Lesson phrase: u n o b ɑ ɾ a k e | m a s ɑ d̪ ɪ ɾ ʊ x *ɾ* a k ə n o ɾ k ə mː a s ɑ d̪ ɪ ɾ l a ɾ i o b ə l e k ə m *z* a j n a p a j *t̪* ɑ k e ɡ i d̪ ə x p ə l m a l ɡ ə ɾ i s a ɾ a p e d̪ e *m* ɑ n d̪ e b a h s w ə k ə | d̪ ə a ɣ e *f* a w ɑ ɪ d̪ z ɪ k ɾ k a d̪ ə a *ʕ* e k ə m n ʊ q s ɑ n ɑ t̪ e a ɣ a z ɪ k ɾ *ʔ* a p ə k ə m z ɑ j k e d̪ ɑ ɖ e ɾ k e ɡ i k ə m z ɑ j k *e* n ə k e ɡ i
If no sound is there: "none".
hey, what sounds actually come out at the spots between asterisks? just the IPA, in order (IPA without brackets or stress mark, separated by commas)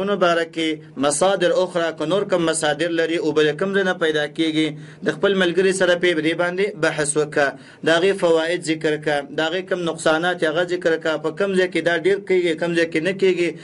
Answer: ɾ, z, d̪, b, f, ɣ, k, e